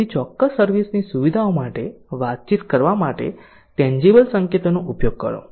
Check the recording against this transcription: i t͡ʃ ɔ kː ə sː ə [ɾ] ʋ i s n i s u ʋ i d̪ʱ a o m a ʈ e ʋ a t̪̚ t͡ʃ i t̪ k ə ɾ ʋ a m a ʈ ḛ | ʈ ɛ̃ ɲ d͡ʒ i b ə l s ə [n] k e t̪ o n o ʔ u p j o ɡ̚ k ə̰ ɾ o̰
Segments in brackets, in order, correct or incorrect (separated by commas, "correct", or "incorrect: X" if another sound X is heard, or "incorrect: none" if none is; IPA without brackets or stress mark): correct, incorrect: ŋ